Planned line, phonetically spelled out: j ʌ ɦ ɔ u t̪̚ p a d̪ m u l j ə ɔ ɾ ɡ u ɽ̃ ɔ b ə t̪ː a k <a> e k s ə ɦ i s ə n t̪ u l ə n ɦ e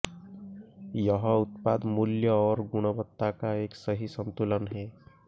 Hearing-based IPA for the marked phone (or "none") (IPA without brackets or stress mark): a